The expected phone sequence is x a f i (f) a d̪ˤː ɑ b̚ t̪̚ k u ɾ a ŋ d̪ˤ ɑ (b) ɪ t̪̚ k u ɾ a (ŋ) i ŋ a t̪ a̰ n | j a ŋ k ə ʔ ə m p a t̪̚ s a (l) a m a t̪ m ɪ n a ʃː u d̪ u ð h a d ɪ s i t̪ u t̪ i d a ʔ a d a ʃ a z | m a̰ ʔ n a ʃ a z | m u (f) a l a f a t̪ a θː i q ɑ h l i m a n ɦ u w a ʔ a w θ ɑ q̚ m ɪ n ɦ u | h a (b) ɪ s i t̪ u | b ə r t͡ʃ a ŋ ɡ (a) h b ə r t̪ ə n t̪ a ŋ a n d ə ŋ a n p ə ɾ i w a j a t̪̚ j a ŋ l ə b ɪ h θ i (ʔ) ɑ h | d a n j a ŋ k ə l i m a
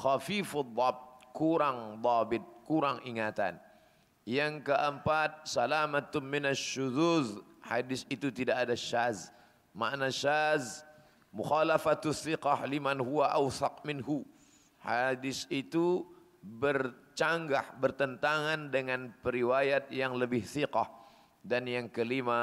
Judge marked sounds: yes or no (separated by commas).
yes, yes, yes, yes, no, no, yes, no